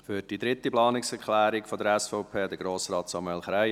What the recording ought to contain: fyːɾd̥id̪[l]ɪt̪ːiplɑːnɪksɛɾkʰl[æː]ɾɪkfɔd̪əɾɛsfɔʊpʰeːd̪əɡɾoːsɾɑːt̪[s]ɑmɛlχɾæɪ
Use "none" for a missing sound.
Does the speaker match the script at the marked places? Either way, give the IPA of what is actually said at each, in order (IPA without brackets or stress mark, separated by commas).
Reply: ɾ, æː, s